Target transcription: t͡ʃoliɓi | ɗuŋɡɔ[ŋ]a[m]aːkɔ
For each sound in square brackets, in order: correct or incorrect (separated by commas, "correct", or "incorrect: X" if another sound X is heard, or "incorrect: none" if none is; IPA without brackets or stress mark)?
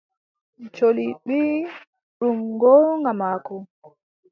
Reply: correct, correct